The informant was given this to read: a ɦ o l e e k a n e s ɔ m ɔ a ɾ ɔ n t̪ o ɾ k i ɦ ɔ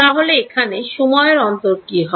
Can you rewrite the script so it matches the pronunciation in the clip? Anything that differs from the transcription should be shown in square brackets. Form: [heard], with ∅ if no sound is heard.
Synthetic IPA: a ɦ o l e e [kʰ] a n e [ʃ] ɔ m ɔ [e] ɾ ɔ n t̪ o ɾ k i ɦ ɔ